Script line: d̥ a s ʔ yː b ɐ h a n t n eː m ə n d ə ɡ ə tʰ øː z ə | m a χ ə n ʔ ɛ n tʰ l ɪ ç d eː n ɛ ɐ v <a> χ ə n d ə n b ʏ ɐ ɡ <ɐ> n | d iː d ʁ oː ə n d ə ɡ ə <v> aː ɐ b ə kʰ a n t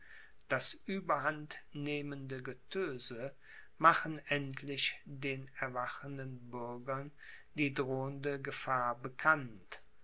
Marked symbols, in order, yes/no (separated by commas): yes, yes, no